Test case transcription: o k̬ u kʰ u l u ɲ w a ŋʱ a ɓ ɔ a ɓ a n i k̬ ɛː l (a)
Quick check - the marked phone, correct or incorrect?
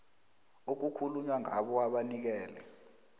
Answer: incorrect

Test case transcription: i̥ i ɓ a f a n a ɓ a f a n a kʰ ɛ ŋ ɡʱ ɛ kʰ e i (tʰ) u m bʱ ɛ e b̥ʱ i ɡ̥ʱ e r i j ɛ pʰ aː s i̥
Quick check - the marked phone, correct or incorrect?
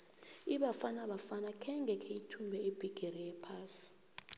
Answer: correct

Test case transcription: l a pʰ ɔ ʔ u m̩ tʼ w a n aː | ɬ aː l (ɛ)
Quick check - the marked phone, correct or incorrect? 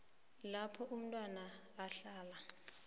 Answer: incorrect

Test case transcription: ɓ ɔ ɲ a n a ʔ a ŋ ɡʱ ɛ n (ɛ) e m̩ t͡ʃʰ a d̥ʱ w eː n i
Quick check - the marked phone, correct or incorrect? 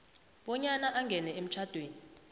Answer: correct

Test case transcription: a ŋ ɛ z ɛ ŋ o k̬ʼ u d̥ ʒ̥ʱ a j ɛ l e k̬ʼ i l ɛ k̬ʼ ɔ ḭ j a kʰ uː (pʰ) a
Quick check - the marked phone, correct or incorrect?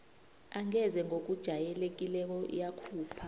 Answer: correct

